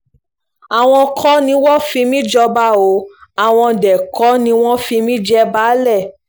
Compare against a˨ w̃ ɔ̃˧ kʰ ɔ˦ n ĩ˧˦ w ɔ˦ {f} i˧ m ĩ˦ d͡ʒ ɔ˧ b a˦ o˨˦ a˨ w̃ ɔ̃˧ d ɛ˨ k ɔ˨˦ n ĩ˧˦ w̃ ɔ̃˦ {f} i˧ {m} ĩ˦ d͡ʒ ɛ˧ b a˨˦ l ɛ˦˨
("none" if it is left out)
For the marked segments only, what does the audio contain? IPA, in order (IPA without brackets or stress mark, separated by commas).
f, f, m